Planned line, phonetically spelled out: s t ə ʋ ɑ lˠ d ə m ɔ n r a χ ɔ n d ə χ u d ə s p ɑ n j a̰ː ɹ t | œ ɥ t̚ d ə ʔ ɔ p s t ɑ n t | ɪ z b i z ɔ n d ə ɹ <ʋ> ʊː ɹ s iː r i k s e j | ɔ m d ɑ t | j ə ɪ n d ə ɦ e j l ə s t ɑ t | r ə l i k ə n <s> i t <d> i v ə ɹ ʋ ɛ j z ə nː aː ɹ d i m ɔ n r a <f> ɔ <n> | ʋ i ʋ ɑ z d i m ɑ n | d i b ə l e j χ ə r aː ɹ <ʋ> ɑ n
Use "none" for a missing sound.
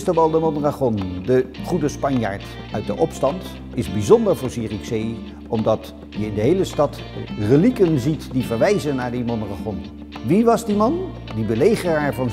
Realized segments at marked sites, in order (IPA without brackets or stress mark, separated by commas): v, z, d, χ, n, v